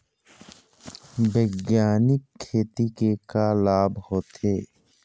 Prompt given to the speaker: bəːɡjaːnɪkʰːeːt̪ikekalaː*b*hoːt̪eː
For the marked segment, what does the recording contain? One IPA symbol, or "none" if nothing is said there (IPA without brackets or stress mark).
b